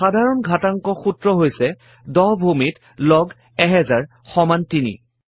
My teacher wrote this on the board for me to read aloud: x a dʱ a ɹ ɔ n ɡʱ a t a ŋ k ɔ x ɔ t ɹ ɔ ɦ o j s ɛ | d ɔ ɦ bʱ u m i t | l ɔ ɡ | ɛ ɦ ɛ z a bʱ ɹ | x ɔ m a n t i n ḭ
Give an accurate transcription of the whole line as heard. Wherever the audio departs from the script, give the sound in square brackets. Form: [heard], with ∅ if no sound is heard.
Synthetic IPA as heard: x a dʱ a ɹ ɔ n ɡʱ a t a ŋ k ɔ x [u] t ɹ ɔ ɦ o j s ɛ | d ɔ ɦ bʱ u m i t | l ɔ ɡ | ɛ ɦ ɛ z a [∅] ɹ | x ɔ m a n t i n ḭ

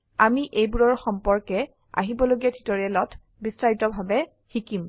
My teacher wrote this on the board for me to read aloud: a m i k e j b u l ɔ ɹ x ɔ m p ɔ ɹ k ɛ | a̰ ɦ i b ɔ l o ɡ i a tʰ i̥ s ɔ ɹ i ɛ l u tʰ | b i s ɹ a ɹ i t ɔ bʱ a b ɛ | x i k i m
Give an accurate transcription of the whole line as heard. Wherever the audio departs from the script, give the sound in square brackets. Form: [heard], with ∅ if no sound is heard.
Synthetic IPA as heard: a m i [ʔ] e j b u [ɹ] ɔ ɹ x ɔ m p ɔ ɹ k ɛ | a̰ ɦ i b ɔ l o ɡ i a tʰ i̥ [t] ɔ ɹ i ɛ l [ɔ] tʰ | b i s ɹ a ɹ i t ɔ bʱ a b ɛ | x i k i m

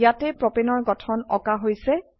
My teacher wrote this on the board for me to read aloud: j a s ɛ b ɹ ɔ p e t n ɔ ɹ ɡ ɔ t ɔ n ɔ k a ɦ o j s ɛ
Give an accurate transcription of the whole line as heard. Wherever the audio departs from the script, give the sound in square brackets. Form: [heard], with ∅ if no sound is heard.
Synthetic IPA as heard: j a [t] ɛ [p] ɹ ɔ p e [∅] n ɔ ɹ ɡ ɔ [tʰ] ɔ n ɔ k a ɦ o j s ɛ

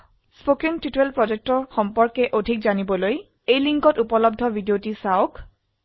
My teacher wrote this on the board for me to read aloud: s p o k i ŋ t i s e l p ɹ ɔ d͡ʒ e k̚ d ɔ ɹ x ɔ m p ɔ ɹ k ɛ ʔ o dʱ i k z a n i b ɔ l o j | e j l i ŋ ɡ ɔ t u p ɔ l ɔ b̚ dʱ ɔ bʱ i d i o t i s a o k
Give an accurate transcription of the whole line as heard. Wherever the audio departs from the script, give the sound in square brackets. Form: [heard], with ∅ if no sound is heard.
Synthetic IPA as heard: s p o k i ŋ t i [t] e l p ɹ ɔ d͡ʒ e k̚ [t] ɔ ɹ x ɔ m p ɔ ɹ k ɛ ʔ o dʱ i k z a n i b ɔ l o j | e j l i ŋ [k] ɔ t u p ɔ l ɔ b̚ dʱ ɔ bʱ i d i o t i s a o k

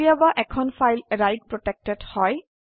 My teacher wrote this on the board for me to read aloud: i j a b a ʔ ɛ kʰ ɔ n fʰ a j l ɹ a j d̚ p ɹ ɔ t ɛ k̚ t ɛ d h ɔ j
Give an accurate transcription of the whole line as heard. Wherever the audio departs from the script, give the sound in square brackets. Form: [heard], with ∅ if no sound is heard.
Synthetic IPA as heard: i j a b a ʔ ɛ kʰ ɔ n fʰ a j l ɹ a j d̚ p ɹ ɔ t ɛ k̚ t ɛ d h ɔ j

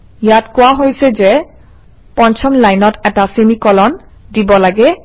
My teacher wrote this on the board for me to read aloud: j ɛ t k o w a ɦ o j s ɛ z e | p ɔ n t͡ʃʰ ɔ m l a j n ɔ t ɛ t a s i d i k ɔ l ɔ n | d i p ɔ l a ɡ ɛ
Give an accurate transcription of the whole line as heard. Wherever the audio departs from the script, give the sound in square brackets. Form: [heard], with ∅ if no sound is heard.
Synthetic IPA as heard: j [a] t k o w a ɦ o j s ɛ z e | p ɔ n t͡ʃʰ ɔ m l a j n ɔ t ɛ t a s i [n] i k ɔ l ɔ n | d i [b] ɔ l a ɡ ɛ

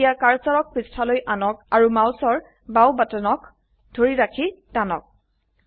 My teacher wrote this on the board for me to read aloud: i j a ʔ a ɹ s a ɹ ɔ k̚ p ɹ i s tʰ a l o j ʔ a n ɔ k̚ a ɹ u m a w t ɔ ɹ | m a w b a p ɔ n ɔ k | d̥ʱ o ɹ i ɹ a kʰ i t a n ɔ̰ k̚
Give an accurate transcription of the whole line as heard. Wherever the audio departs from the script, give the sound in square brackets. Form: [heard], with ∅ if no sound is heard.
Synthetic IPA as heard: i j a [k] a ɹ s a ɹ ɔ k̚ p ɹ i s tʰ a l o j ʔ a n ɔ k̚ a ɹ u m a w [s] ɔ ɹ | [b] a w b a [t] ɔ n ɔ k | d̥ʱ o ɹ i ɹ a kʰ i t a n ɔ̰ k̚

